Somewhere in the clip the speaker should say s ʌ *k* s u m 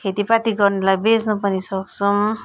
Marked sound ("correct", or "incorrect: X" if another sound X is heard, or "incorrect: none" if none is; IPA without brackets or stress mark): correct